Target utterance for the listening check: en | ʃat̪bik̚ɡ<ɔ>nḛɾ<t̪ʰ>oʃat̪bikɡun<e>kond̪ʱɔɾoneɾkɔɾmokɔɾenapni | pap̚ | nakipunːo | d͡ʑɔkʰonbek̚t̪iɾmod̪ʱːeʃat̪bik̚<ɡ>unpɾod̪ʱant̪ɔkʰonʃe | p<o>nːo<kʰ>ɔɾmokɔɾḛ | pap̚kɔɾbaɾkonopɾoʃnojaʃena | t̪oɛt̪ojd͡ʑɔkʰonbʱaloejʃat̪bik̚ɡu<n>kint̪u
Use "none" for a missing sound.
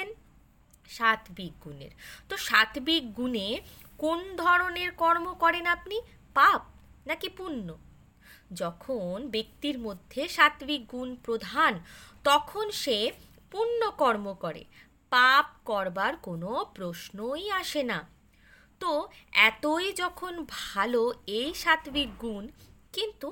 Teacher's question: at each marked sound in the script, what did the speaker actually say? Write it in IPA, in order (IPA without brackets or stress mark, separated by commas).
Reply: u, t̪, e, ɡ, u, k, n